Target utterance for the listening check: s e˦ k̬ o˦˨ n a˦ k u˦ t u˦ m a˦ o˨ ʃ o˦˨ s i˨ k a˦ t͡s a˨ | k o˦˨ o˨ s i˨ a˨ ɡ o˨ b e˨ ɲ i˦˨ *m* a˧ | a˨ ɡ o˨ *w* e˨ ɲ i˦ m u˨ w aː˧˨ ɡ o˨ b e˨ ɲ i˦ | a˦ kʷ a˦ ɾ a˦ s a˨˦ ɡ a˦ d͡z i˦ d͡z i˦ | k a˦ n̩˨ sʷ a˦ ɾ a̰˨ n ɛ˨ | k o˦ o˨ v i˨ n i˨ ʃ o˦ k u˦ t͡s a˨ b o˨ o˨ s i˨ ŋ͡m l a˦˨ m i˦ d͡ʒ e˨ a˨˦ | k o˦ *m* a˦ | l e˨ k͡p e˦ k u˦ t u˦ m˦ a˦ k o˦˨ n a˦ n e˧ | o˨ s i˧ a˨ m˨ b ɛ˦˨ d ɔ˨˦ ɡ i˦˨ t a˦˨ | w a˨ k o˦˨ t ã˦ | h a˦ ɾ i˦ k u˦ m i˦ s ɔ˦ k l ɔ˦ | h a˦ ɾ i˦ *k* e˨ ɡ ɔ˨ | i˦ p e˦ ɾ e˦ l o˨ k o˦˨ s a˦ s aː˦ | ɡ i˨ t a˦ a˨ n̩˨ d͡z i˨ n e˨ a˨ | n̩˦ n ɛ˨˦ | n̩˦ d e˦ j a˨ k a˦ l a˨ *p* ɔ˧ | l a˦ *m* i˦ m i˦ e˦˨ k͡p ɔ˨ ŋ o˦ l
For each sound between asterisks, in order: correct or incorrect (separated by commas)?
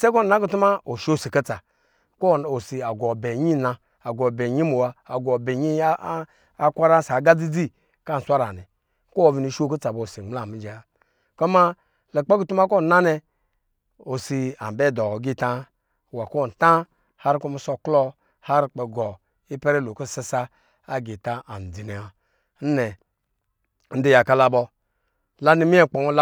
incorrect, incorrect, correct, incorrect, incorrect, incorrect